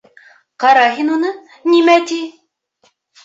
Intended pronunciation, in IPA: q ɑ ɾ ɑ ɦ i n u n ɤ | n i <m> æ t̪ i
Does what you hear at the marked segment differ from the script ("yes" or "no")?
no